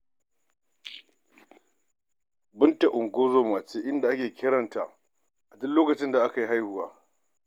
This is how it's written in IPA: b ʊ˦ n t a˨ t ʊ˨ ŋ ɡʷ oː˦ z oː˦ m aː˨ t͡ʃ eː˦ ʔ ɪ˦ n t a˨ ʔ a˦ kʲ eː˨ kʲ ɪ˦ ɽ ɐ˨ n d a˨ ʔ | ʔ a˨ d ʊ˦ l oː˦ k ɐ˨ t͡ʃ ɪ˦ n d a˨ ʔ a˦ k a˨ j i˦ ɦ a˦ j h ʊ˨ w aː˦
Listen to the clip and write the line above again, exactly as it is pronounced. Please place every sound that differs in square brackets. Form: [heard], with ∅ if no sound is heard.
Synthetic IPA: b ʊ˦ n t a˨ [ʔ] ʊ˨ ŋ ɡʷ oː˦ z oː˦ m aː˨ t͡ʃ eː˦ ʔ ɪ˦ n [d] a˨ ʔ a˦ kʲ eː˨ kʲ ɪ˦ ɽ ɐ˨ n [t] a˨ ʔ | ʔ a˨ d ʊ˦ l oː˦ k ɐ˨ t͡ʃ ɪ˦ n d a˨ ʔ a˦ k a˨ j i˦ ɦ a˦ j h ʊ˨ w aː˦